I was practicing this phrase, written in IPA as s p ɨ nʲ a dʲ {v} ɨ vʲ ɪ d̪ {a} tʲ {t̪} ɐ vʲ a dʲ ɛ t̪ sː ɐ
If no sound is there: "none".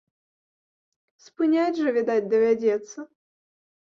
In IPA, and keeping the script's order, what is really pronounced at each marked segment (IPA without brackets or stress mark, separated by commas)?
ʐ, a, d̪